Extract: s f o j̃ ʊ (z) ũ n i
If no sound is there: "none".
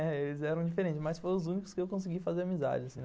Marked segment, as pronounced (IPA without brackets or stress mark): z